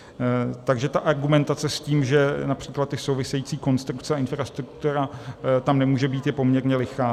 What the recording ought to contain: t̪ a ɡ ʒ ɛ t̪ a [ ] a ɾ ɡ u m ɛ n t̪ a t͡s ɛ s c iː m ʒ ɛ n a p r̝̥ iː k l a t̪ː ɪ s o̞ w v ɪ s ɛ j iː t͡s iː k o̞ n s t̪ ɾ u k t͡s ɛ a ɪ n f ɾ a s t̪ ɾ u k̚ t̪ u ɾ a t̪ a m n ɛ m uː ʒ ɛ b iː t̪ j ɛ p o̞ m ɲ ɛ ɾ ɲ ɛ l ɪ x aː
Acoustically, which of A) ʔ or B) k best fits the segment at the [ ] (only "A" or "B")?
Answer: A